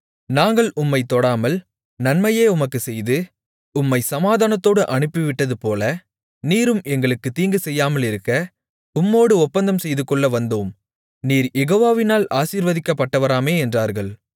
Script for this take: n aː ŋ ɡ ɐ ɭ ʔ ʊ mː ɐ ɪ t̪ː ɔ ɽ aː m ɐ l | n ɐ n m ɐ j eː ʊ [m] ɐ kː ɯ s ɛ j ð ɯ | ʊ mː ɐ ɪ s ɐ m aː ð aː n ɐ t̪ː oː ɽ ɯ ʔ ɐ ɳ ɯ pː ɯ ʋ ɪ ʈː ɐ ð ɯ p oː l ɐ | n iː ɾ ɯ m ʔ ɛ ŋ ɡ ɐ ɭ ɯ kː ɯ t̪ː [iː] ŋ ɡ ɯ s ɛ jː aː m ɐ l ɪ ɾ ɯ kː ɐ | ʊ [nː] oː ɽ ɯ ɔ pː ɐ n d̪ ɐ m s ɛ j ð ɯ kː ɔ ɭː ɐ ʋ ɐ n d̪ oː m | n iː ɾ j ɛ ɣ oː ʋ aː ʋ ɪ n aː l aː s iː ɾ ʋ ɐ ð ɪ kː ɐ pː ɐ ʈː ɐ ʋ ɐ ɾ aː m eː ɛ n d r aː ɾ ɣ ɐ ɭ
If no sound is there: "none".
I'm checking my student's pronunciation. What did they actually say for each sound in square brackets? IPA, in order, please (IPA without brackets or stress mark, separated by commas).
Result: m, iː, mː